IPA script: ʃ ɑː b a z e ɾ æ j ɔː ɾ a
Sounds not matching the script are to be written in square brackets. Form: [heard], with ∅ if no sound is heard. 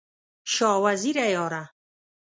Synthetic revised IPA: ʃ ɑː [w] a z [i] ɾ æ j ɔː ɾ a

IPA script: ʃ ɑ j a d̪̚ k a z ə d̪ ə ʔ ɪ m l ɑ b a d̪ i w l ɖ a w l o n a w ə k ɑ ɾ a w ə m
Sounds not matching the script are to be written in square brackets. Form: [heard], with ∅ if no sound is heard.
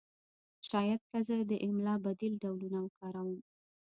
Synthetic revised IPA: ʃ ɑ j a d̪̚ k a z ə d̪ ə ʔ ɪ m l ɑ b a d̪ i [∅] l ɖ a w l [u] n a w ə k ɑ ɾ a w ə m

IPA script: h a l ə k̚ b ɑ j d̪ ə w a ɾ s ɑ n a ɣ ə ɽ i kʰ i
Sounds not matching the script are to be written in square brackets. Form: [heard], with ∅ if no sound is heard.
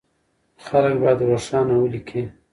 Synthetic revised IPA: [x] a l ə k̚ b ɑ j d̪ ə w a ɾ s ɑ n a [w] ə [l] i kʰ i

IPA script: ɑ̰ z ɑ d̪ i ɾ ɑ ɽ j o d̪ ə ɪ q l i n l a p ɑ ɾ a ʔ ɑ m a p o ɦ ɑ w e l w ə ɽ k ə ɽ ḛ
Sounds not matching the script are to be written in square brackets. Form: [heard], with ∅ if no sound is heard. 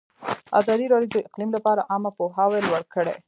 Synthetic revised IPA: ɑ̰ z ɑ d̪ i ɾ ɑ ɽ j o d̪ ə ɪ q l i [m] l a p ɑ ɾ a ʔ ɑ m a p o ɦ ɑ w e l w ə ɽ k ə ɽ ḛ

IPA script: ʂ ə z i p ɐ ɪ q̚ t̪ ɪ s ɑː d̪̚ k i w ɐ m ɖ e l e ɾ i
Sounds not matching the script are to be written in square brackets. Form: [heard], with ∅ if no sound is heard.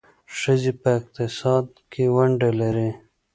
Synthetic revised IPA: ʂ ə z i p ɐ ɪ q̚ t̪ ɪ s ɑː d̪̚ k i w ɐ [ɳ] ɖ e l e ɾ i

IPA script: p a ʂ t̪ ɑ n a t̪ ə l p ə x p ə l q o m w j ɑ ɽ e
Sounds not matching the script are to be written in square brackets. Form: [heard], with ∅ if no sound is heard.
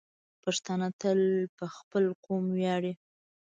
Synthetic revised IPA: p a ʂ t̪ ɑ n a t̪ ə l p ə x p ə l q o m w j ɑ ɽ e

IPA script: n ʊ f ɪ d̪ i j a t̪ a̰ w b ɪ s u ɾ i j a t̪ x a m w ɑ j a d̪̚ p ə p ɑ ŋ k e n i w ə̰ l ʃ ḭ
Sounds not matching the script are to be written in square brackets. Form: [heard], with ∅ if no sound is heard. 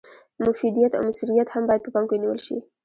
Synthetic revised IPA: [m] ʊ f [i] d̪ i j a t̪ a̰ w [m] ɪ s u ɾ i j a t̪ [h] a m [b] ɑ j a d̪̚ p ə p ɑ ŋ k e n i w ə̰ l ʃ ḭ

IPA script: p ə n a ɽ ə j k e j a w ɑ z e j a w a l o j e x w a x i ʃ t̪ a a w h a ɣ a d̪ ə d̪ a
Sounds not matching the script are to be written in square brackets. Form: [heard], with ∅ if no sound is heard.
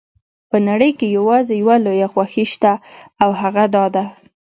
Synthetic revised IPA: p ə n a ɽ ə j k e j a w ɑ z e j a w a l o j [a] x w a x i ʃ t̪ a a w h a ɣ a d̪ [ɑ] d̪ a

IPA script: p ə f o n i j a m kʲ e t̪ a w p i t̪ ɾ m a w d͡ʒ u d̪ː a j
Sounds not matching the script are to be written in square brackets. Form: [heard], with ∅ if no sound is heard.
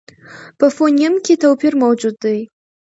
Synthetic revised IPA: p ə f o n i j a m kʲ e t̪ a w p i [∅] ɾ m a w d͡ʒ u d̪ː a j

